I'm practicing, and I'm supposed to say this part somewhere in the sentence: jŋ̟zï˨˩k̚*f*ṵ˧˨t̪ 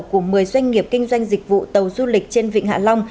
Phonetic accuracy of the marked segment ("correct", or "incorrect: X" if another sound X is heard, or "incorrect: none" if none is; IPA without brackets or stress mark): incorrect: v